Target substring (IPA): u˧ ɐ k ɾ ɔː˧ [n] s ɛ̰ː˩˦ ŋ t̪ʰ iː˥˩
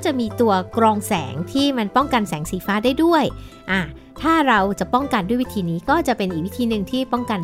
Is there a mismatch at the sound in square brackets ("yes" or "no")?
yes